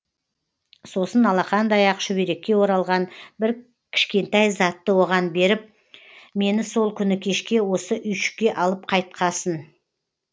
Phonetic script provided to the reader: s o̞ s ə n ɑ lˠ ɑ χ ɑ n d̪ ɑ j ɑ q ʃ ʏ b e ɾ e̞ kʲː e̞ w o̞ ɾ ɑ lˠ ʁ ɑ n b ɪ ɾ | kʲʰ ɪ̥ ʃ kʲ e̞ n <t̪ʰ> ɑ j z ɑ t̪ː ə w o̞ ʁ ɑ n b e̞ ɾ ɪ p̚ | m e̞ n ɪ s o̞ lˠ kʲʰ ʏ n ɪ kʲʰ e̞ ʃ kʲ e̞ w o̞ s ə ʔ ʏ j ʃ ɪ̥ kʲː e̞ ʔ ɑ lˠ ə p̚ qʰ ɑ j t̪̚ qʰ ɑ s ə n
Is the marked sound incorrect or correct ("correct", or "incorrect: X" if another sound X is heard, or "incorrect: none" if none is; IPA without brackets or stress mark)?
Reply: incorrect: t̪